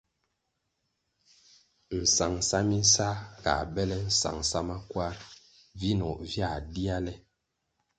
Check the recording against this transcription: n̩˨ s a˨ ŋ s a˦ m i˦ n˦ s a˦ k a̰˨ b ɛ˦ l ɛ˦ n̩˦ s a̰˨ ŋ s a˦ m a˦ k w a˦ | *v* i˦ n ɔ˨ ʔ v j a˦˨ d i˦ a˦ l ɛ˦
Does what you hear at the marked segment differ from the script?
no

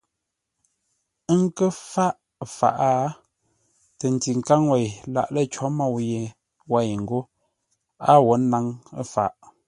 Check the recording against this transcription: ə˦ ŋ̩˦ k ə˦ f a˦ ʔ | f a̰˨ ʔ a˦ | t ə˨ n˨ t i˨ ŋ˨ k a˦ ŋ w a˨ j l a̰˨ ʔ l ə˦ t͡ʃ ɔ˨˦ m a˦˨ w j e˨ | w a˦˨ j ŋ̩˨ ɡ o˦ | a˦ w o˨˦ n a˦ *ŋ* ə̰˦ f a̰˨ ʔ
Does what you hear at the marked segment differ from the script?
no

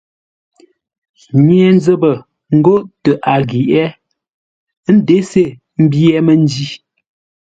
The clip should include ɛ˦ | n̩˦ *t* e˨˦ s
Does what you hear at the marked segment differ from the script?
yes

